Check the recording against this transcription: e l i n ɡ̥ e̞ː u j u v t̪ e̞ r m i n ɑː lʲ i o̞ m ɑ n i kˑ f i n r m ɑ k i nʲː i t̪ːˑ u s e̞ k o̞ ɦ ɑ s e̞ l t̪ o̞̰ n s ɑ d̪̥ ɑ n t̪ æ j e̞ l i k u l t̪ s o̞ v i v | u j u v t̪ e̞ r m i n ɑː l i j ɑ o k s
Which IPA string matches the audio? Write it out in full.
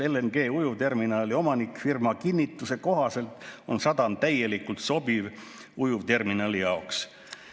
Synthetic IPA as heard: e l e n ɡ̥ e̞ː u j u v t̪ e̞ r m i n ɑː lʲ i o̞ m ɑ n i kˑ f i r m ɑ k i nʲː i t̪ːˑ u s e̞ k o̞ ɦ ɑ s e̞ l t̪ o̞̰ n s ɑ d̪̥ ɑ n t̪ æ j e̞ l i k u l t̪ s o̞ b i v | u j u v t̪ e̞ r m i n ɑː l i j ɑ o k s